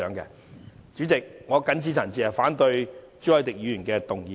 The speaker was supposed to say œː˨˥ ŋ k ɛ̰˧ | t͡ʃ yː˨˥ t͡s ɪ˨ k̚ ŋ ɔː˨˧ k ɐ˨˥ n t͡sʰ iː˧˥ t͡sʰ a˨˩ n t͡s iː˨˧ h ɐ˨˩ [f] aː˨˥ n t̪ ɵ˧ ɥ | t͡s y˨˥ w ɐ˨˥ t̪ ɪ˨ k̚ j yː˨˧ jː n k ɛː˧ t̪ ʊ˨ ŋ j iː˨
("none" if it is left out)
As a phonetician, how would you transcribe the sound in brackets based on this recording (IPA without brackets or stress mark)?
f